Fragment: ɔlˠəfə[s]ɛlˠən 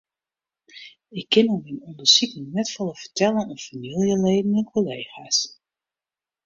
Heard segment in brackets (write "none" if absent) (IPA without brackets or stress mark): t